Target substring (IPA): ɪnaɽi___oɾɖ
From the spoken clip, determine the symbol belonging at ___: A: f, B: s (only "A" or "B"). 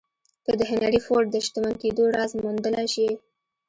A